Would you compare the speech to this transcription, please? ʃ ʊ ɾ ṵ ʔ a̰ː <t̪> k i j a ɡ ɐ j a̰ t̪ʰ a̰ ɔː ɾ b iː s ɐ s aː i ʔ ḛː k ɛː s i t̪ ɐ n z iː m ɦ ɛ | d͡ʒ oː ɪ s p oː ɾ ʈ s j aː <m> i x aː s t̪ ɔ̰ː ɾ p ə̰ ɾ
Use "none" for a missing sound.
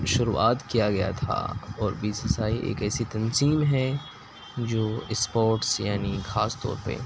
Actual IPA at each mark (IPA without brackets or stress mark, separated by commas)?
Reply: t̪, n